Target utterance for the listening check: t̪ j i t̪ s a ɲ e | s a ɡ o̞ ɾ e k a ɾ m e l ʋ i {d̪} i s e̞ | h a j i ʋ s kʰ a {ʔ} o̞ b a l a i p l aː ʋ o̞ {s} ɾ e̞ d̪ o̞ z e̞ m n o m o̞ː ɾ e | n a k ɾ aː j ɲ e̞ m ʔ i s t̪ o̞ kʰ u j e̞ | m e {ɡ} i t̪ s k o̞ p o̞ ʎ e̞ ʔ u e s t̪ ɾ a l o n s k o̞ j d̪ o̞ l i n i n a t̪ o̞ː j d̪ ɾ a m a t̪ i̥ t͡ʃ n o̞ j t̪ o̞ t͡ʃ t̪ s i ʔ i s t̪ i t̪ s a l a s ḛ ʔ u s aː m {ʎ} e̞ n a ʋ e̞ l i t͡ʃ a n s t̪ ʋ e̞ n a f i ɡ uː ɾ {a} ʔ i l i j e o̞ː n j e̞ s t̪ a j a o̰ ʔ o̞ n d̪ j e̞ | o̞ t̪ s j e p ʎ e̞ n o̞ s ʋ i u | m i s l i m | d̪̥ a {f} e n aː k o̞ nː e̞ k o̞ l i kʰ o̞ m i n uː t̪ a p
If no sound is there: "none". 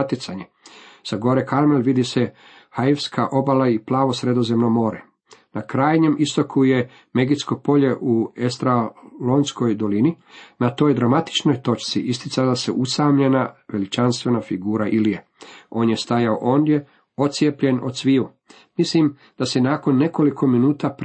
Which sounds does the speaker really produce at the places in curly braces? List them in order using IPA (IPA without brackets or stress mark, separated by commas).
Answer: d̪, ʔ, s, ɡ, ʎ, a, s